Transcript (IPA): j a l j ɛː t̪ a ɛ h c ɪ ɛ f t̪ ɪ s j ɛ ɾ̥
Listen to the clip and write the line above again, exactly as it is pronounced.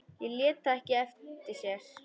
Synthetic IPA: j ɛ l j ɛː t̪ a ɛ h c ɪ ɛ f t̪ ɪ s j ɛ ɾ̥